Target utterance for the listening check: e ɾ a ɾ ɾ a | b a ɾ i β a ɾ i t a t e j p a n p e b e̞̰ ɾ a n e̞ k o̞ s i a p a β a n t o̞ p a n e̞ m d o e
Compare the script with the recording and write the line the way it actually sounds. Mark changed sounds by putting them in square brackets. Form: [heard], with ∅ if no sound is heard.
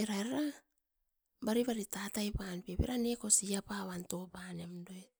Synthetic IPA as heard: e ɾ a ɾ ɾ a | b a ɾ i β a ɾ i t a t [a] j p a n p e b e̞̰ ɾ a n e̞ k o̞ s i a p a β a n t o̞ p a n e̞ m d o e